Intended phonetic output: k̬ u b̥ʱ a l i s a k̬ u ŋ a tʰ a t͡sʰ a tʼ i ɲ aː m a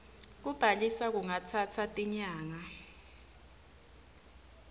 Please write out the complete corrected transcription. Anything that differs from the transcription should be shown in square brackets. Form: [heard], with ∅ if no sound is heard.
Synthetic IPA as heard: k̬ u b̥ʱ a l i s a k̬ u ŋ a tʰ a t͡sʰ a tʼ i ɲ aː [ŋ] a